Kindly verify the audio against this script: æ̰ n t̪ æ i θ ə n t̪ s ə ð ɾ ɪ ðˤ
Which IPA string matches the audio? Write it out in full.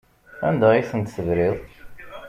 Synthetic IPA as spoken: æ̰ n d̪ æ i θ ə n t̪ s ə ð ɾ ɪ ðˤ